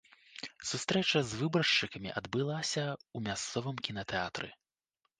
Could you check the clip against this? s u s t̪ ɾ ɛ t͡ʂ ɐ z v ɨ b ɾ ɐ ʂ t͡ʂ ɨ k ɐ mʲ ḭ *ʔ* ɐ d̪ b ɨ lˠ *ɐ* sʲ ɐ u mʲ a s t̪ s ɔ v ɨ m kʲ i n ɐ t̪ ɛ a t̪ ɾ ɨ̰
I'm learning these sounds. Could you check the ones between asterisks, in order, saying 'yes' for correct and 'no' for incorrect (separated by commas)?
yes, no